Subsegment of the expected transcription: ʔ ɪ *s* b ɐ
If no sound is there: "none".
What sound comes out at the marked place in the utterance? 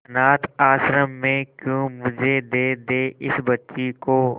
s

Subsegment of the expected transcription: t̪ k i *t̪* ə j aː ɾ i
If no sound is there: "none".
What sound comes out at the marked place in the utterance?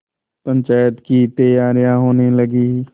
t̪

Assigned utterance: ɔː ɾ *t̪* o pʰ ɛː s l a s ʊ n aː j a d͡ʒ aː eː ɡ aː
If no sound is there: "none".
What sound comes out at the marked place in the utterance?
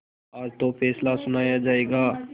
t̪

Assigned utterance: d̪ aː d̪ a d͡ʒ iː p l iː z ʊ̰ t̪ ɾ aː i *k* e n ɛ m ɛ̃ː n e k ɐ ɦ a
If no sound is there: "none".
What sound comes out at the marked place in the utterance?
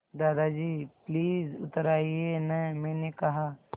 none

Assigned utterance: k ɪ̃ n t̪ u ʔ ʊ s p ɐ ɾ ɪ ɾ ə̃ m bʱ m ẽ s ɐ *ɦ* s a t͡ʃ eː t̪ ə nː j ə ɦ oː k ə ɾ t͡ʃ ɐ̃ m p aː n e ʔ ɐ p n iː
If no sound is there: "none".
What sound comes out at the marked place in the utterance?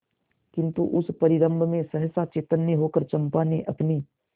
ɦ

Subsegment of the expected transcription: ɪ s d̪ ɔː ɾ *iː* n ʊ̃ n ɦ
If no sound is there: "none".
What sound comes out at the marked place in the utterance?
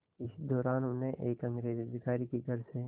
aː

